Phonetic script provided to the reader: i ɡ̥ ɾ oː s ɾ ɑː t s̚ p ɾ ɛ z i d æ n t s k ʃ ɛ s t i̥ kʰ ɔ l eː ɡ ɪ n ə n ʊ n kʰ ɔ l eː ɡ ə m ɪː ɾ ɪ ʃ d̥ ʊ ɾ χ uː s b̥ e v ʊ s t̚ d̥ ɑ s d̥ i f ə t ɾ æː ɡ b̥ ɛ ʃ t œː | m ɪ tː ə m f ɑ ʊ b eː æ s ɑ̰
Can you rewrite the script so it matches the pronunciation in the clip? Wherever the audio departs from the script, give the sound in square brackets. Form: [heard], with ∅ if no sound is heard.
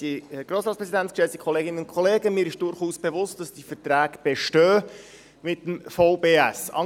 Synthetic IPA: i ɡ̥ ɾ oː s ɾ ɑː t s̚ p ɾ ɛ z i d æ n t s k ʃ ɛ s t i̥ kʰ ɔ l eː ɡ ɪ n ə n ʊ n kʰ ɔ l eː ɡ ə m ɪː ɾ ɪ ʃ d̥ ʊ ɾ χ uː s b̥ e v ʊ s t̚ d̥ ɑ s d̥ i f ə t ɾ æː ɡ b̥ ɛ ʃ t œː | m ɪ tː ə m f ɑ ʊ b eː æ s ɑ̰